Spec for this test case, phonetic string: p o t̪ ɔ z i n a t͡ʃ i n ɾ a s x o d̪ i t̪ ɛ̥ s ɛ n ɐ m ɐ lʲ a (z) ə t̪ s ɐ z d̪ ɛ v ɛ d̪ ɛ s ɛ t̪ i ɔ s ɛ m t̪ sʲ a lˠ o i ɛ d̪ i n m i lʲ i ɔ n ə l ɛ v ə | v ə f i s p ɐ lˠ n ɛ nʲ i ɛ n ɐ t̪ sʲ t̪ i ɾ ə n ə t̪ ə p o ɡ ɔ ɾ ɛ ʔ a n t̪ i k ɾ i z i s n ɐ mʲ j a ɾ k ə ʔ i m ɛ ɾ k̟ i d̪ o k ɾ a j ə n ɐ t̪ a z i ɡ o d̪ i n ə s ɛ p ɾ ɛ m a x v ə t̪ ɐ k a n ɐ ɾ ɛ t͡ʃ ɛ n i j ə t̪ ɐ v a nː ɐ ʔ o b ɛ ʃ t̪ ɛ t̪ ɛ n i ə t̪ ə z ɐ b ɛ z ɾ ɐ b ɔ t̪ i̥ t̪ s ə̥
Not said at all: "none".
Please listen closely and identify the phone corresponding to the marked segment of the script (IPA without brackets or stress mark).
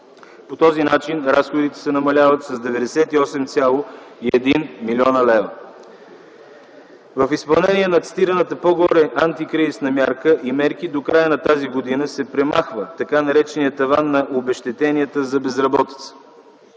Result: v